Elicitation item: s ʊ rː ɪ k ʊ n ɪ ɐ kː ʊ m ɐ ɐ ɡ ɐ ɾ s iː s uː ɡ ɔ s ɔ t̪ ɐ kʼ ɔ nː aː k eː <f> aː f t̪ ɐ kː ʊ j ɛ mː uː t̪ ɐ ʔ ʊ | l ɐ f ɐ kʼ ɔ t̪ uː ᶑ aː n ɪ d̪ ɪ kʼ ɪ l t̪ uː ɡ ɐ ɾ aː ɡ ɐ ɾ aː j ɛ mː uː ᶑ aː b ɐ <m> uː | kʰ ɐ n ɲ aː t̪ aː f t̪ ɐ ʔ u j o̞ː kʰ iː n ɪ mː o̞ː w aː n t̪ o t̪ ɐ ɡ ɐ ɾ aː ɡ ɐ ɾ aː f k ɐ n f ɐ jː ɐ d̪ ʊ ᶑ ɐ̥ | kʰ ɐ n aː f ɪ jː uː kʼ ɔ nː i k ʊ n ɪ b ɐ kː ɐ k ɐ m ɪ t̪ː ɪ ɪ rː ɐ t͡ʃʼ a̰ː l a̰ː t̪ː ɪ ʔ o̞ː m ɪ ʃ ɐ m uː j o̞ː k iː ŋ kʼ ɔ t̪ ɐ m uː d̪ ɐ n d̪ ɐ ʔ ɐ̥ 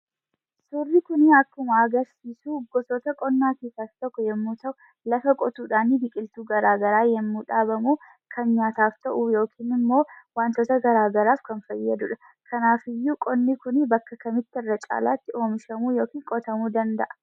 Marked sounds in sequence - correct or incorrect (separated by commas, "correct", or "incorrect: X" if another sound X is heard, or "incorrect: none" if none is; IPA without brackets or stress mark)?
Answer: incorrect: s, correct